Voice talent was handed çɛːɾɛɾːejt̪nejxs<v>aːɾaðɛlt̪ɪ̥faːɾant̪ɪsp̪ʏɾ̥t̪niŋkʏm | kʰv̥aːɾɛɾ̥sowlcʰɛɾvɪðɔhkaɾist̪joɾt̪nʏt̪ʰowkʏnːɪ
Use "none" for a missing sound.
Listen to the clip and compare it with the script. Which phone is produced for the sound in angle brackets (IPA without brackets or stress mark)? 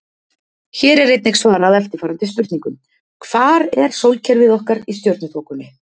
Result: v